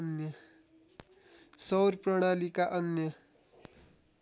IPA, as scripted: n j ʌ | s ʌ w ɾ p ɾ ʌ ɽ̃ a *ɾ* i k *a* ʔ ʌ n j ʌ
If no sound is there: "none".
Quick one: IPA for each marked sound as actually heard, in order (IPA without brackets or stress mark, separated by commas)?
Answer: l, a